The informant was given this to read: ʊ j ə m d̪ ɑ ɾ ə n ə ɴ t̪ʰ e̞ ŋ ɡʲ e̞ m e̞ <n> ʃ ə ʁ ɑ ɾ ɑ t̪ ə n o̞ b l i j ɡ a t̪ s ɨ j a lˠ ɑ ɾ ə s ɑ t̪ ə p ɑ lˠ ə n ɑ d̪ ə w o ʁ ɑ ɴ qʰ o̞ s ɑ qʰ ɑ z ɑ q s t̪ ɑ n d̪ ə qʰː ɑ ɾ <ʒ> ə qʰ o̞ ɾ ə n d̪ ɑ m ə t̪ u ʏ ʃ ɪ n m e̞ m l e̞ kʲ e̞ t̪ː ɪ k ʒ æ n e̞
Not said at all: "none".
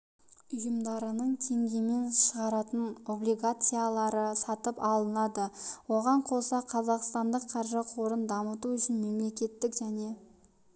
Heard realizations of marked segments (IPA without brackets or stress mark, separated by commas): n, ʒ